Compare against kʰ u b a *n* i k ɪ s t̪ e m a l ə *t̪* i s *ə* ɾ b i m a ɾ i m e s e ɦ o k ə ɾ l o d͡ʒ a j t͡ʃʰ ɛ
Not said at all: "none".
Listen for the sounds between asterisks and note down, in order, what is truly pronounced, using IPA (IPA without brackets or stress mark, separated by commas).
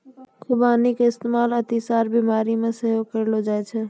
n, t̪, a